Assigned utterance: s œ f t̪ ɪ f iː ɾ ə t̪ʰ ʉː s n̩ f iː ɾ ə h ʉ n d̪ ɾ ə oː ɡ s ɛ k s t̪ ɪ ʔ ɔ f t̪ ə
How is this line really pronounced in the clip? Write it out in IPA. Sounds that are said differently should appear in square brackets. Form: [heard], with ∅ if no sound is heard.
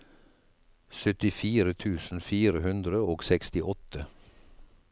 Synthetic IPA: s œ [∅] t̪ ɪ f iː ɾ ə t̪ʰ ʉː s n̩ f iː ɾ ə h ʉ n d̪ ɾ ə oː ɡ s ɛ k s t̪ ɪ ʔ ɔ [∅] t̪ ə